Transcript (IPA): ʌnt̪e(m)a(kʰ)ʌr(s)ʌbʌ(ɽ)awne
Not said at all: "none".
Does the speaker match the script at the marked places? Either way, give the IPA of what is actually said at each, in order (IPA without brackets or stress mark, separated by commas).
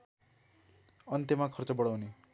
m, kʰ, t͡s, ɽ